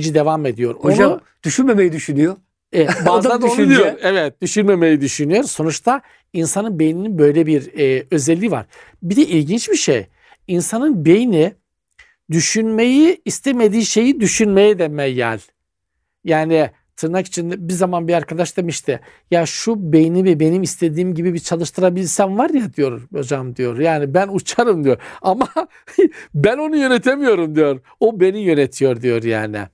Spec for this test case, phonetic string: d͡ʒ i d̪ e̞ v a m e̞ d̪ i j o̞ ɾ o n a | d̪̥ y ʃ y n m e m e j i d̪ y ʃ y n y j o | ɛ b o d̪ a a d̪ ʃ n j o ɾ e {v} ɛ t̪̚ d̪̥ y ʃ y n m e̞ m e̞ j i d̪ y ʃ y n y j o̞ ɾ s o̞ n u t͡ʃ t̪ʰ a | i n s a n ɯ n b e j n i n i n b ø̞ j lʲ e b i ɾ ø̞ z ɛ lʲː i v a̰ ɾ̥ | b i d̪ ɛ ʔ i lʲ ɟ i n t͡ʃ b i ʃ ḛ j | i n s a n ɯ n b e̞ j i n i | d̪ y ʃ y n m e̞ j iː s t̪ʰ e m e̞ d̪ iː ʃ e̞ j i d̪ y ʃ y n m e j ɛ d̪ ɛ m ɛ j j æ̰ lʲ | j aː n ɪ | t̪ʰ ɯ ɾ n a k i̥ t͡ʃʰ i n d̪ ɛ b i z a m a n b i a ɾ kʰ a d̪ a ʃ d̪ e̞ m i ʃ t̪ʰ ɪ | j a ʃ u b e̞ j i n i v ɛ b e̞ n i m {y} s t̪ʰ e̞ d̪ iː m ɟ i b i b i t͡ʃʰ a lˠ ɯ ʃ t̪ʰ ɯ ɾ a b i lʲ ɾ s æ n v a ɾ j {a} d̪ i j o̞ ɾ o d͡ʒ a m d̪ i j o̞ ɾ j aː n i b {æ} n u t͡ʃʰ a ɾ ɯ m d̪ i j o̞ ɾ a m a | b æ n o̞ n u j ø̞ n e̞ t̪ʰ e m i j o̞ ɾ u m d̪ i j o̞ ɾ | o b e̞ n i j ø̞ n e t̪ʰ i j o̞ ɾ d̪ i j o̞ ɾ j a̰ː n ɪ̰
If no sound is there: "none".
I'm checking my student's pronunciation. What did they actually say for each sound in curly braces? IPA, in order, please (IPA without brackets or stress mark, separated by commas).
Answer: v, i, a, æ